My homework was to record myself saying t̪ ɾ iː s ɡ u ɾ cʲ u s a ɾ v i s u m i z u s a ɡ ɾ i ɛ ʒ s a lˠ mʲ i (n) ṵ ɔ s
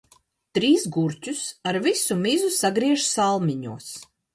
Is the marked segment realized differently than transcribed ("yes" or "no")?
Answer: yes